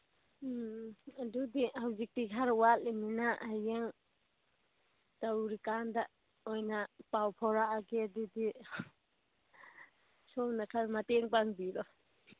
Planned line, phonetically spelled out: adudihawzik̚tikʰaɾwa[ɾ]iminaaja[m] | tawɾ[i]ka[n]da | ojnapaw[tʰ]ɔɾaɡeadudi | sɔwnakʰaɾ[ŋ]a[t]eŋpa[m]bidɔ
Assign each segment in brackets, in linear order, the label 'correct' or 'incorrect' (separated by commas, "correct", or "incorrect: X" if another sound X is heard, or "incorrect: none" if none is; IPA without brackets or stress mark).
incorrect: l, incorrect: ŋ, correct, correct, incorrect: pʰ, incorrect: m, correct, incorrect: ŋ